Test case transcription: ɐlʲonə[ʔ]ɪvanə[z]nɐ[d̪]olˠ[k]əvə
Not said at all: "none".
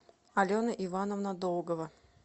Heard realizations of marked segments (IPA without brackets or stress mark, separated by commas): ʔ, v, d̪, ɡ